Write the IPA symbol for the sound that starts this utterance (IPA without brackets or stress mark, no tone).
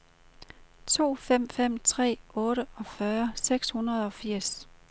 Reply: t͡sʰ